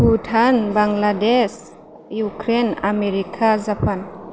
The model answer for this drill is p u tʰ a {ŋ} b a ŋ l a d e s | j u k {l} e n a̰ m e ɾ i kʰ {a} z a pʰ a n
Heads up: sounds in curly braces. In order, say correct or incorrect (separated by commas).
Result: incorrect, incorrect, correct